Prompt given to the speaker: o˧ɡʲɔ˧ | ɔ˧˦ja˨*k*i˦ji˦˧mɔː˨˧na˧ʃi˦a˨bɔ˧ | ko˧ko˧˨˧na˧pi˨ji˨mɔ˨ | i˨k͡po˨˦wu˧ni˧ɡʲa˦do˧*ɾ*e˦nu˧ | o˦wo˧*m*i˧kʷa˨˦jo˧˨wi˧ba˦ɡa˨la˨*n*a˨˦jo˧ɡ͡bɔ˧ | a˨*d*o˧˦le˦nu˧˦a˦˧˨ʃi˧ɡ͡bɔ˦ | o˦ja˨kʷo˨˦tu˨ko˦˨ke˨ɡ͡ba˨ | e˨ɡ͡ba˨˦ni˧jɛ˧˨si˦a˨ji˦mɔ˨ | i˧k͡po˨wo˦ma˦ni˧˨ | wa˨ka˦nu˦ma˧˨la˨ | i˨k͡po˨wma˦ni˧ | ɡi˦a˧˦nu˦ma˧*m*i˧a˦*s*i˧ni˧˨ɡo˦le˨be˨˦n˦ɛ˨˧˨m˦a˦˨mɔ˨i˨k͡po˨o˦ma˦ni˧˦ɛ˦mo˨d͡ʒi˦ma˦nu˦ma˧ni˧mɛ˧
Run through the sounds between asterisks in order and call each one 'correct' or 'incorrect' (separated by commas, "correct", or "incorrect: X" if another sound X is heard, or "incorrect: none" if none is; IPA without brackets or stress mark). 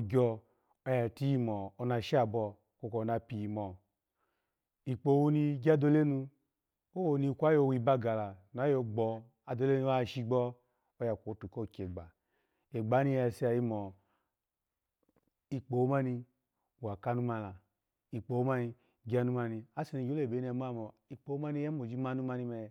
incorrect: t, incorrect: l, incorrect: n, correct, correct, incorrect: n, correct